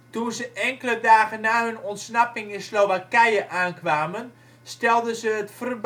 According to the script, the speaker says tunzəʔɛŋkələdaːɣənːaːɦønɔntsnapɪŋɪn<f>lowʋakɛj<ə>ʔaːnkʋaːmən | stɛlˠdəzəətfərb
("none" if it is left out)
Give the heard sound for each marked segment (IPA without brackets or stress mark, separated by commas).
s, ə